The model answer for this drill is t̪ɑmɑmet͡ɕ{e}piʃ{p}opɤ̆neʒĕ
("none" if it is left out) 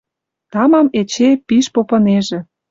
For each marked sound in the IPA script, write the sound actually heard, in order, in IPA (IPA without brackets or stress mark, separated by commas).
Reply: e, p